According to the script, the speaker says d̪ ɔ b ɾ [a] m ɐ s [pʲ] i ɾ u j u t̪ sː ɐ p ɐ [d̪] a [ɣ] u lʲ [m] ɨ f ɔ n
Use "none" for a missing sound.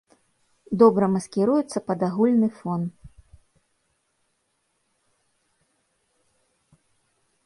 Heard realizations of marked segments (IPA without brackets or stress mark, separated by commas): ɐ, kʲ, d̪, ɣ, n